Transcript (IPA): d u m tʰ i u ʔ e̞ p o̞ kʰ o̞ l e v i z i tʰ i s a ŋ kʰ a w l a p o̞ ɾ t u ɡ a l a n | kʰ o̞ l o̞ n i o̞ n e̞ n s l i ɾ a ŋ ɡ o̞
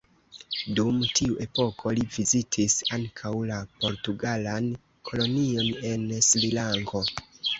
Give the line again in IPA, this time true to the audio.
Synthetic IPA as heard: d u m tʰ i u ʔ e̞ p o̞ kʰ o̞ l i v i z i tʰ i s a ŋ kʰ a w l a p o̞ ɾ t u ɡ a l a n | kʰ o̞ l o̞ n i o̞ n e̞ n s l i l a ŋ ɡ o̞